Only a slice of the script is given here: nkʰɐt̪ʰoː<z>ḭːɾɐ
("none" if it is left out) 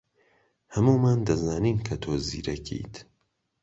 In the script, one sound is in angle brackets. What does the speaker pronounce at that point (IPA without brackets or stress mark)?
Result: z